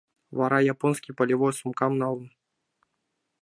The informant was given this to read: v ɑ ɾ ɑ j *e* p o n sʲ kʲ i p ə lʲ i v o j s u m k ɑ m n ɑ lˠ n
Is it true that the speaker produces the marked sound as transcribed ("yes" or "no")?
no